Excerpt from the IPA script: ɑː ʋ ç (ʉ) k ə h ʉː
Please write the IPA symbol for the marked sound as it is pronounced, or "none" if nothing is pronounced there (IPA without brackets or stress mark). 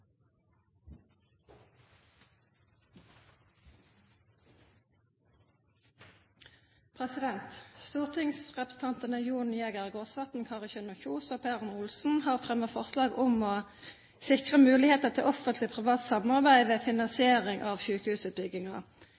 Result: ʉː